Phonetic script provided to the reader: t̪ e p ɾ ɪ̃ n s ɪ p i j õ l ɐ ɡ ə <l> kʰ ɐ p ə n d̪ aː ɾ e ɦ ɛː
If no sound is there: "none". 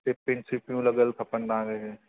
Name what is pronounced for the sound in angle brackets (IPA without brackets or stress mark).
l